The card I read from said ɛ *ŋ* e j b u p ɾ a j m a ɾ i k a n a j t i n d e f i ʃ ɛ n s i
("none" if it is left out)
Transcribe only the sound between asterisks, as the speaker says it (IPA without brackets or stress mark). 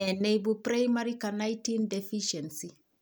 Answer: n